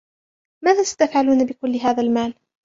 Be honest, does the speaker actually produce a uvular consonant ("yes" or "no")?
no